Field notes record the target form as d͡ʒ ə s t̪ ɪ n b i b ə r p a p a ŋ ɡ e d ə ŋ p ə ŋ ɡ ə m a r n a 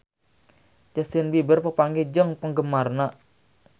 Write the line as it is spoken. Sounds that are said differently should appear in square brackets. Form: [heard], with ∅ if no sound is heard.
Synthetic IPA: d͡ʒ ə s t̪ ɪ n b i b ə r p [ə] p a ŋ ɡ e [d͡ʒ] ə ŋ p ə ŋ ɡ ə m a r n a